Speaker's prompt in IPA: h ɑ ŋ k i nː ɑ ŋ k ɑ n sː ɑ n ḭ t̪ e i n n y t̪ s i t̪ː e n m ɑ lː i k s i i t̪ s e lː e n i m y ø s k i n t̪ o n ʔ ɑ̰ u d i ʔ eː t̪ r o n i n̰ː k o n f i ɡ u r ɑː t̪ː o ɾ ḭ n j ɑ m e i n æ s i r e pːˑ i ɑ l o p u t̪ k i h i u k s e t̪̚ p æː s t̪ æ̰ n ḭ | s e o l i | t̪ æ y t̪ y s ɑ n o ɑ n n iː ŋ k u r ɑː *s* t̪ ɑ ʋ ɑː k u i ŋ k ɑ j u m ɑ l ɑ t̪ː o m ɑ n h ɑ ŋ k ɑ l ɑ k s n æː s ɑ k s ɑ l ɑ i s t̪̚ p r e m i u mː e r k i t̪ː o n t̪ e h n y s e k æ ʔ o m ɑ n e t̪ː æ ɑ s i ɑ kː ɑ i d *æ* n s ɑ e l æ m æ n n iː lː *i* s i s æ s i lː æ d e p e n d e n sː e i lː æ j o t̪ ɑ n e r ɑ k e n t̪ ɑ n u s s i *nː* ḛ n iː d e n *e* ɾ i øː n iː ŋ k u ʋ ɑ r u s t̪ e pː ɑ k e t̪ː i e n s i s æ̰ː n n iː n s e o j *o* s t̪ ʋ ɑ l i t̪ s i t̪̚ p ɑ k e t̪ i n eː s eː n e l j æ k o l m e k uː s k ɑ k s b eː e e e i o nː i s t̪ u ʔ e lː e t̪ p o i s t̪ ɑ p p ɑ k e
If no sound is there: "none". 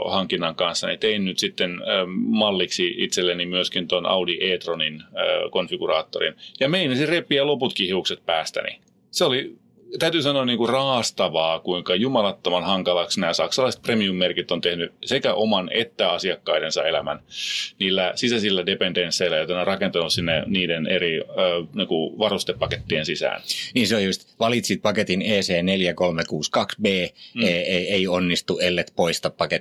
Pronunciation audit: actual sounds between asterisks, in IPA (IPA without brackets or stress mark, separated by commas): s, e, æ, nː, e, u